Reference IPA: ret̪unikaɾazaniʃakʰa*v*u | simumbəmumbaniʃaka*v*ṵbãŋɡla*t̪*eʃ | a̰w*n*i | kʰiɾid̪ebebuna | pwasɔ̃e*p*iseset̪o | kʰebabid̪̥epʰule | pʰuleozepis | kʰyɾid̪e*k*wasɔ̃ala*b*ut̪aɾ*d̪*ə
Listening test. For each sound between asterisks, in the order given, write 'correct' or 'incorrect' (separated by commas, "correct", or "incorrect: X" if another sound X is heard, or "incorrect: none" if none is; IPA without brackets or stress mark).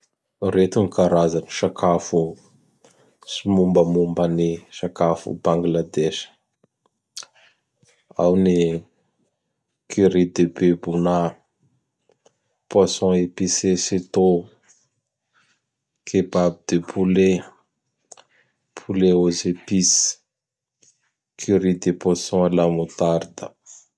incorrect: f, incorrect: f, incorrect: d̪, correct, correct, incorrect: p, incorrect: m, correct